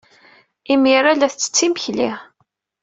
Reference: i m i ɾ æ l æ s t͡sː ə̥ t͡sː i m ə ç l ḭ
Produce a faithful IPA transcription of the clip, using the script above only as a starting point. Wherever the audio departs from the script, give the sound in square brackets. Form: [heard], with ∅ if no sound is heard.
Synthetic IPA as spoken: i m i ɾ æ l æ [θ] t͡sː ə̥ t͡sː i m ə ç l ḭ